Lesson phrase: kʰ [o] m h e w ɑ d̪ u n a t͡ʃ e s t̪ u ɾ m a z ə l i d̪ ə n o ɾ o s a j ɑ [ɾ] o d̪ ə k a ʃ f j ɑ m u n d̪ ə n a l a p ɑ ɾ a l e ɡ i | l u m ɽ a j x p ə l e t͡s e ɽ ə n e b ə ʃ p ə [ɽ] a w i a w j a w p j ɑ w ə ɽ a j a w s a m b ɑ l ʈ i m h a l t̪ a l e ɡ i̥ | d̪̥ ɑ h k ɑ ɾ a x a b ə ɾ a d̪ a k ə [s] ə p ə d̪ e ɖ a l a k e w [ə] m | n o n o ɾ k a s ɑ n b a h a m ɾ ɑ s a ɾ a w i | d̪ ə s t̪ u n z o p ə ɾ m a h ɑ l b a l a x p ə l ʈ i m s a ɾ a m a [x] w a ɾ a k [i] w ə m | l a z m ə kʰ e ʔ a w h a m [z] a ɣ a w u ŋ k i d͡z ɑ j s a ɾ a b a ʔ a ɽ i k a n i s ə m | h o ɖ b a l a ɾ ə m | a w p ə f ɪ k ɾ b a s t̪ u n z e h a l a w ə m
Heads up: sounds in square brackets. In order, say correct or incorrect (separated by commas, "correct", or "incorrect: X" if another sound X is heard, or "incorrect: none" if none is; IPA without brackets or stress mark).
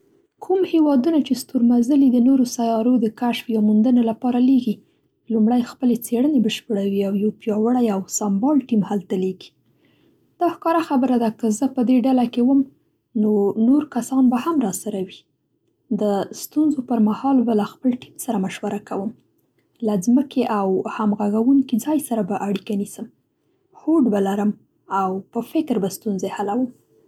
incorrect: u, correct, correct, incorrect: z, correct, incorrect: ʃ, incorrect: a, incorrect: ɣ